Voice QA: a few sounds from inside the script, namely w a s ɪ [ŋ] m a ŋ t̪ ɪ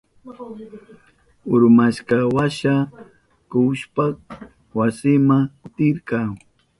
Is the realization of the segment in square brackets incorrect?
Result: yes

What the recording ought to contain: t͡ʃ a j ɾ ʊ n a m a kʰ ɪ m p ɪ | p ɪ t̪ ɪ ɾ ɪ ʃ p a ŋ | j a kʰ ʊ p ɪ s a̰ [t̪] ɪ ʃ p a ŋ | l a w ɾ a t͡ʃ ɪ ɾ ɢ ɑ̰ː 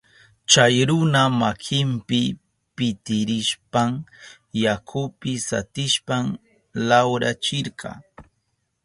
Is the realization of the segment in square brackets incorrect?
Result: no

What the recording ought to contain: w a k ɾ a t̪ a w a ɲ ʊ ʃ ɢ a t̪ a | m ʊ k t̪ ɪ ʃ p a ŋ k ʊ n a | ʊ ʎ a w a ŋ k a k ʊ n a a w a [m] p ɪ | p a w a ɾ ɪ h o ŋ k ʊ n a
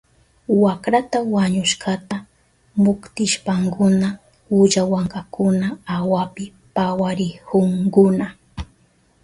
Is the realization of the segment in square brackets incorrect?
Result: yes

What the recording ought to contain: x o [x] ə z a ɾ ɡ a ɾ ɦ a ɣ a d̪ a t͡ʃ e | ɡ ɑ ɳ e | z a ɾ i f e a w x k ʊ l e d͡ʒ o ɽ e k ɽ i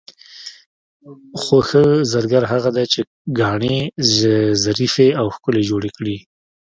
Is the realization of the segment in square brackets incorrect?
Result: no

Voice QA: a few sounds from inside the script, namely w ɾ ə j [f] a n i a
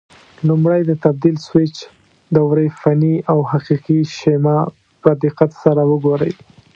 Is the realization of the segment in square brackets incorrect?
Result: no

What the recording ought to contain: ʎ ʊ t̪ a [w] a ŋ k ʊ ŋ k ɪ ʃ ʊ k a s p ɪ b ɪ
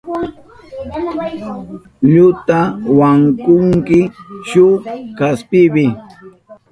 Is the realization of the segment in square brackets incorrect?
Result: no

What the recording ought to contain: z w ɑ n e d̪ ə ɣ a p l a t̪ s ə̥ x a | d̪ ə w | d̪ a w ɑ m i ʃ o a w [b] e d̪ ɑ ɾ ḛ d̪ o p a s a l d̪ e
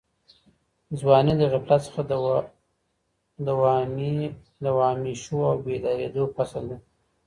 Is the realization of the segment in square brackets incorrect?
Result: no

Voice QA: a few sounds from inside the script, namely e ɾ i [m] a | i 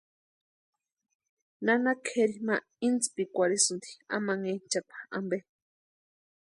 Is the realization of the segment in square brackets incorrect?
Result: no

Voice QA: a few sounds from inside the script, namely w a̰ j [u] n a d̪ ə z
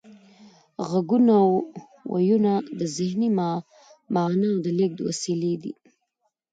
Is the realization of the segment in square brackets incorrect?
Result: no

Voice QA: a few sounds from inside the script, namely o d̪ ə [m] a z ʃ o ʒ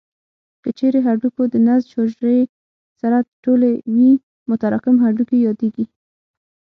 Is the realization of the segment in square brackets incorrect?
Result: yes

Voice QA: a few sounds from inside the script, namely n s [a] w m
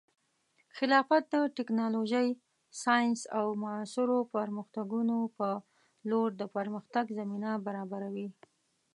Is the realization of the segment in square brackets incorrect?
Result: no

